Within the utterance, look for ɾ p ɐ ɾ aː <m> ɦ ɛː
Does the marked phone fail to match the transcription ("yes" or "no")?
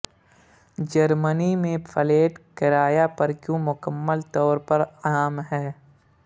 no